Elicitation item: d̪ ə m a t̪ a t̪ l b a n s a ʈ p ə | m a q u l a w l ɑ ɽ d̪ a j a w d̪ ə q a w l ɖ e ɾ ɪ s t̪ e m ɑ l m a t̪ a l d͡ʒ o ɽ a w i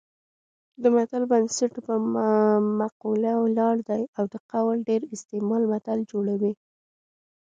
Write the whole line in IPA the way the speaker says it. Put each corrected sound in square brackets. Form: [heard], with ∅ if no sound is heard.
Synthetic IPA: d̪ ə m a t̪ a [∅] l b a n s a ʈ p ə | m a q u l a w l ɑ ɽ d̪ a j a w d̪ ə q a w l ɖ e ɾ ɪ s t̪ e m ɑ l m a t̪ a l d͡ʒ o ɽ a w i

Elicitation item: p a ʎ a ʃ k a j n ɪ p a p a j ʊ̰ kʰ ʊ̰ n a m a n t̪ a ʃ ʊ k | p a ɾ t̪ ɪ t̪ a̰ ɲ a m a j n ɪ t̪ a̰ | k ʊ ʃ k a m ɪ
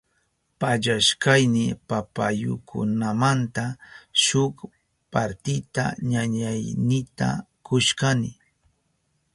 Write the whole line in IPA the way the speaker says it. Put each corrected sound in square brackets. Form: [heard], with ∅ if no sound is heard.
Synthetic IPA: p a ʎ a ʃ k a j n ɪ p a p a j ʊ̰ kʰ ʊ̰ n a m a n t̪ a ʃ ʊ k | p a ɾ t̪ ɪ t̪ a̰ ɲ a [ɲ] a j n ɪ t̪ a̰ | k ʊ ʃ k a [n] ɪ

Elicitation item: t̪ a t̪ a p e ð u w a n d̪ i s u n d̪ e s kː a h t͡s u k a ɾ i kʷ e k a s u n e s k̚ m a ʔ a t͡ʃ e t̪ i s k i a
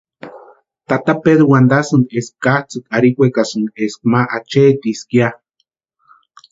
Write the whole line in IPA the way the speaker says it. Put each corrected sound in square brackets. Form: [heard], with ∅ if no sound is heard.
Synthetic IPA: t̪ a t̪ a p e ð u w a n d̪ [a] s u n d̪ e s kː a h t͡s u k a ɾ i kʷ e k a s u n e s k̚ m a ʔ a t͡ʃ e t̪ i s k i a

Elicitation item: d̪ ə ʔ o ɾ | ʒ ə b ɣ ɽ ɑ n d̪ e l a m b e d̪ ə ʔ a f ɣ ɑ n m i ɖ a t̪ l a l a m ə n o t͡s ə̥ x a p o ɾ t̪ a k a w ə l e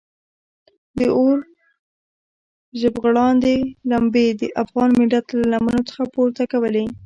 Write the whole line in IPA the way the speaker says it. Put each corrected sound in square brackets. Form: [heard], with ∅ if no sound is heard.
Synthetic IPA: d̪ ə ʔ o ɾ | ʒ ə b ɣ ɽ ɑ n d̪ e l a m b e d̪ ə ʔ a f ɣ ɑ n m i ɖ a t̪ l a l a m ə n o t͡s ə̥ x a p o ɾ t̪ a k a w ə l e

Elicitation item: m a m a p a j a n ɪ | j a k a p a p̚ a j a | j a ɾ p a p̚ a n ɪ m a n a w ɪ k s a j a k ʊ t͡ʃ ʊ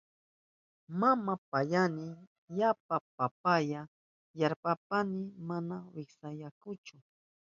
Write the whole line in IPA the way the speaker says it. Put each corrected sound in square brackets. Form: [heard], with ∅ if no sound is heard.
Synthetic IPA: m a m a p a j a n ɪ | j a [p] a p a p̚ a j a | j a ɾ p a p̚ a n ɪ m a n a w ɪ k s a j a k ʊ t͡ʃ ʊ

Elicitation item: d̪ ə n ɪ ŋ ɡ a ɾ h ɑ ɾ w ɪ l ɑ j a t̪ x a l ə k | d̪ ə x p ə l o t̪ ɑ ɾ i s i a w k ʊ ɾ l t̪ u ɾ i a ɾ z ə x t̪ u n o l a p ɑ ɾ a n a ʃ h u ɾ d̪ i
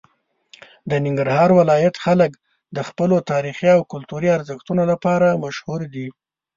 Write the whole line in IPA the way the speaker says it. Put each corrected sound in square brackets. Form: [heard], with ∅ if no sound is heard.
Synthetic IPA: d̪ ə n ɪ ŋ ɡ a ɾ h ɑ ɾ w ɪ l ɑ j a t̪ x a l ə k | d̪ ə x p ə l o t̪ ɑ ɾ i [x] i a w k ʊ [∅] l t̪ u ɾ i a ɾ z ə x t̪ u n o l a p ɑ ɾ a [m] a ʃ h u ɾ d̪ i

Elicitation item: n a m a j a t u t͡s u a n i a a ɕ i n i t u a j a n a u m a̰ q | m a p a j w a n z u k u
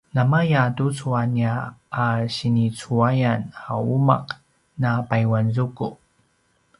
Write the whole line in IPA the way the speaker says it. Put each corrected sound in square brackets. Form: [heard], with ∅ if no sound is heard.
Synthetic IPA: n a m a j a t u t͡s u a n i a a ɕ i n i [t͡s] u a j a n a u m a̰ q | [n] a p a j w a n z u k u

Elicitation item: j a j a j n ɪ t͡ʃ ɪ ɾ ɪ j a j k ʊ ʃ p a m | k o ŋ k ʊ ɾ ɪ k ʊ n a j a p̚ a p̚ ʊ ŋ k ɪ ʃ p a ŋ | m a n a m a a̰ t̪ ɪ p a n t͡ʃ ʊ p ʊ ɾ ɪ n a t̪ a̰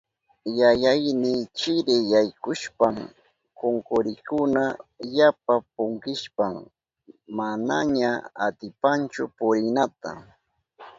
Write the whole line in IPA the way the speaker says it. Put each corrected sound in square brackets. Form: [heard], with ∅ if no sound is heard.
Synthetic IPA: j a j a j n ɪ t͡ʃ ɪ ɾ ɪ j a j k ʊ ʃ p a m | k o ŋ k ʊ ɾ ɪ k ʊ n a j a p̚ a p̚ ʊ ŋ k ɪ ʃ p a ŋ | m a n a [ɲ] a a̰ t̪ ɪ p a n t͡ʃ ʊ p ʊ ɾ ɪ n a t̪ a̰

